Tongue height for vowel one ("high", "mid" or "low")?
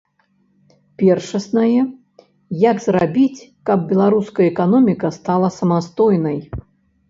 mid